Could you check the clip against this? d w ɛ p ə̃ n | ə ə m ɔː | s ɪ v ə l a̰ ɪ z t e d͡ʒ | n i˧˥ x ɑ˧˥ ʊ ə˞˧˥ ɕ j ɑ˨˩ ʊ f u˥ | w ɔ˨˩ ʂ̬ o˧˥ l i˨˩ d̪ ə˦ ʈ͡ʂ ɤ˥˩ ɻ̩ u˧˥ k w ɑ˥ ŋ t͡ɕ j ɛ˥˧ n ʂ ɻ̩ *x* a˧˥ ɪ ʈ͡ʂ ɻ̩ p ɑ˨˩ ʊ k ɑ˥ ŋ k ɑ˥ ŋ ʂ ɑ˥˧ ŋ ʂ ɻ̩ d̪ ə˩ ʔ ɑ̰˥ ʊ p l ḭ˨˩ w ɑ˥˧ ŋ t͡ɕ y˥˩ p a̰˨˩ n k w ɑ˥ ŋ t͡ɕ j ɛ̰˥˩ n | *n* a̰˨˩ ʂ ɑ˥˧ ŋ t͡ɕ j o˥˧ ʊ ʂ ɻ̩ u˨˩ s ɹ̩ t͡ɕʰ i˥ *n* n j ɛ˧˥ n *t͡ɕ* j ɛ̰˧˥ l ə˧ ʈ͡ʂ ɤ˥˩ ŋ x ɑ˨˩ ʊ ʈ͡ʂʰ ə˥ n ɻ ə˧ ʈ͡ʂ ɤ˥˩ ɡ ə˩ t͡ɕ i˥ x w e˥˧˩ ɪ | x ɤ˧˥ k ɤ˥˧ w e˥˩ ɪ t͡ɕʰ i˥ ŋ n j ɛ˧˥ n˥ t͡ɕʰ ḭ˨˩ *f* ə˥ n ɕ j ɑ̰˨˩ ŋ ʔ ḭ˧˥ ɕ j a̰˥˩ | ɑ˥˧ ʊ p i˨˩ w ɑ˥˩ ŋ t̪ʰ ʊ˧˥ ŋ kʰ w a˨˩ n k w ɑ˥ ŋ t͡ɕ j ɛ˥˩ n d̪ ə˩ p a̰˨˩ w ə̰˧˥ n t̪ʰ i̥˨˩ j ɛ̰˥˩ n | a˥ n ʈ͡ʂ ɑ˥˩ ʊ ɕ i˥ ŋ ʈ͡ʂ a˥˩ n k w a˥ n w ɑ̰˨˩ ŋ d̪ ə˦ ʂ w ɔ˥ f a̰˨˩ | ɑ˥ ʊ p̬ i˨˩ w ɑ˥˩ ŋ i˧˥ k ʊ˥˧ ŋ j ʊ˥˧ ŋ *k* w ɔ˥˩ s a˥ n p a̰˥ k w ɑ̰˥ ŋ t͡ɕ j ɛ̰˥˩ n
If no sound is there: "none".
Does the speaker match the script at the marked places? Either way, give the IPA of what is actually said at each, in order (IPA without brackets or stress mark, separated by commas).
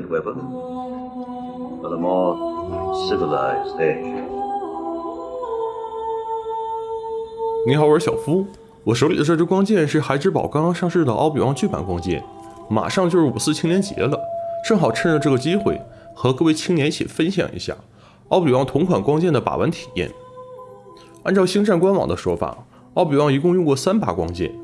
x, m, ŋ, t͡ɕ, f, k